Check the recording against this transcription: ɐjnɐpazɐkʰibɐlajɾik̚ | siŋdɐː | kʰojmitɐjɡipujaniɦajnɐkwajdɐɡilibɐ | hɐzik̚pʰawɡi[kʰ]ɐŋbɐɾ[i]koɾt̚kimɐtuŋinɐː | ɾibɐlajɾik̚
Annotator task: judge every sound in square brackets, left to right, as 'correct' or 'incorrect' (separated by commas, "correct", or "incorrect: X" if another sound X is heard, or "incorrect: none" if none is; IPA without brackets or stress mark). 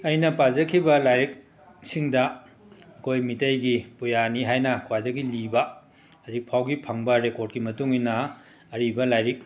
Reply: incorrect: pʰ, incorrect: e